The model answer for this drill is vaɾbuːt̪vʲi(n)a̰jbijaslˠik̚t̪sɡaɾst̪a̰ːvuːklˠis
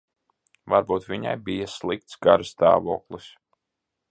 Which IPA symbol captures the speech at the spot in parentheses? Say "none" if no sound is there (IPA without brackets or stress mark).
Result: ɲ